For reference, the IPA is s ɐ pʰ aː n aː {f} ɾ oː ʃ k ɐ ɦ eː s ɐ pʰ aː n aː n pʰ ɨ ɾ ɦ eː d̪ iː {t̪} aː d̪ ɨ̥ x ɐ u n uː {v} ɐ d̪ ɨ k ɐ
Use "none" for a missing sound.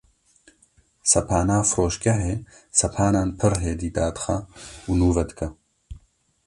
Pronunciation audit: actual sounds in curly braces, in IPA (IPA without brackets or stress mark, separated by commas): f, d̪, v